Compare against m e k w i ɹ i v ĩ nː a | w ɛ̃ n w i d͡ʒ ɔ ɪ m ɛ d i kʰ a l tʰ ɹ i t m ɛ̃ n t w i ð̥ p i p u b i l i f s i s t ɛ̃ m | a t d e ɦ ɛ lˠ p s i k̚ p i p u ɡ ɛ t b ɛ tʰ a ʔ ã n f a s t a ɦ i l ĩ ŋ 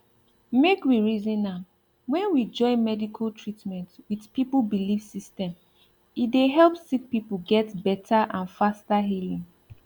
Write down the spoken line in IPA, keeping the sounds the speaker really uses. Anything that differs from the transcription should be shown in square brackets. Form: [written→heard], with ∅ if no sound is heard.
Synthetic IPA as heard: m e k w i ɹ i [v→z] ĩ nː a | w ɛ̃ n w i d͡ʒ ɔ ɪ m ɛ d i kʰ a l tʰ ɹ i t m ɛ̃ n t w i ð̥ p i p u b i l i f s i s t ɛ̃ m | [a→i] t d e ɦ ɛ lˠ p s i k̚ p i p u ɡ ɛ t b ɛ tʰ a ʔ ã n f a s t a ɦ i l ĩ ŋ

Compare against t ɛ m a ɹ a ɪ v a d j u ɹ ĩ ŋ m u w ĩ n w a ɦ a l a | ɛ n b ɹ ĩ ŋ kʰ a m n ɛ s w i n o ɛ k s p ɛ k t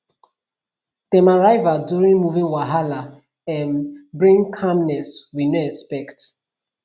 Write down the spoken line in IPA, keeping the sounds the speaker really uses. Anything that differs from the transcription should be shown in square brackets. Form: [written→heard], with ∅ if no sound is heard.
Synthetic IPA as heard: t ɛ m a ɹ a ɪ v a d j u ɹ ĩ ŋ m u [w→v] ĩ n w a ɦ a l a | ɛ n b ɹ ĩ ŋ kʰ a m n ɛ s w i n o ɛ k s p ɛ k t

